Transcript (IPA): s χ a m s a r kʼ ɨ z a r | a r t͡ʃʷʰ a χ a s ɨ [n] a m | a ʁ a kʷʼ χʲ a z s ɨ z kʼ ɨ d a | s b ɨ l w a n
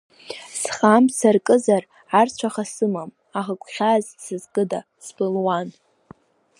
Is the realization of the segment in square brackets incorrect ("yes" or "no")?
yes